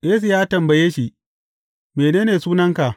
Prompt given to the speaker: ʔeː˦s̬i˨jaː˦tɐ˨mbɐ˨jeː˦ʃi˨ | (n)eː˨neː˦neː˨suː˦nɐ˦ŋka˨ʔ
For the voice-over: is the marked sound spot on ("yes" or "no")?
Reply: no